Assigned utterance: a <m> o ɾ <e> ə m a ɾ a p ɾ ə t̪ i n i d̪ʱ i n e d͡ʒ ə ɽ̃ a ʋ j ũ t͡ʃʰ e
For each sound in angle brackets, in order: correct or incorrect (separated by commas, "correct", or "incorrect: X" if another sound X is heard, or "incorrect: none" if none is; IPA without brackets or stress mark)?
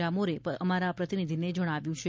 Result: correct, correct